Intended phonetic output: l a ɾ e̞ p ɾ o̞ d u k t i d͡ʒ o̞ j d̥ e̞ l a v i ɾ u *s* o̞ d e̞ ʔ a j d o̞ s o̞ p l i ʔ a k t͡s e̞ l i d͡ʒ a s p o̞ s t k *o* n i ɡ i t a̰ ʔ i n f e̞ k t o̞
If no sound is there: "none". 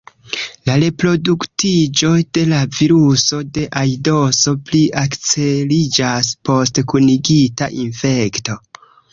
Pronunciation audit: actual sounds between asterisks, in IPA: s, u

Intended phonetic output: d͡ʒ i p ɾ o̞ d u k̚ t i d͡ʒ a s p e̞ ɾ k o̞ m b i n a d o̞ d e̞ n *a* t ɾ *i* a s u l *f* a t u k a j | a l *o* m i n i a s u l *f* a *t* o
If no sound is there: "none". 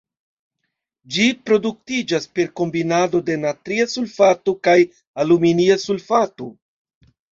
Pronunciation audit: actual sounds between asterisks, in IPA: a, i, f, u, f, t

